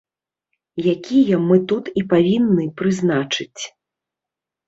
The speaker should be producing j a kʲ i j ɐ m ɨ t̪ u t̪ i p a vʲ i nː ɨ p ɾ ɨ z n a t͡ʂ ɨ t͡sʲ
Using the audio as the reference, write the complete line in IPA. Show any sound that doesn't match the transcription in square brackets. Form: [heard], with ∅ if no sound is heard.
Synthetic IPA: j a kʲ i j ɐ m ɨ t̪ u t̪ i p a vʲ i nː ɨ p ɾ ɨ z n a t͡ʂ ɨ t͡sʲ